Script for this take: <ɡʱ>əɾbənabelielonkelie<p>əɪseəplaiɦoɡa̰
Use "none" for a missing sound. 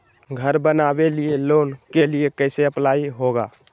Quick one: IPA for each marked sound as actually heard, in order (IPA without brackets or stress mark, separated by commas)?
ɡʱ, k